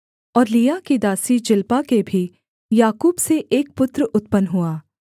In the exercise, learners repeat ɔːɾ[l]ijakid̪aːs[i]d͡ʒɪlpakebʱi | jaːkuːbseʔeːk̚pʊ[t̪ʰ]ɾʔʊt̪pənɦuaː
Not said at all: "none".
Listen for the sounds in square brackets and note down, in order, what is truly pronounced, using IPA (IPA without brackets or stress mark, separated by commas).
l, i, t̪